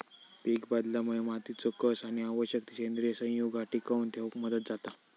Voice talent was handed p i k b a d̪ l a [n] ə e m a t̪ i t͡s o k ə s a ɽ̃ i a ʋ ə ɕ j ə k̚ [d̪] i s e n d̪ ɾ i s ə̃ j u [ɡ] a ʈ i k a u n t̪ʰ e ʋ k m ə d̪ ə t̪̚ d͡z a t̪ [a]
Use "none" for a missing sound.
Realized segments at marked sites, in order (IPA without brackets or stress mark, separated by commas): m, t̪, ɡ, a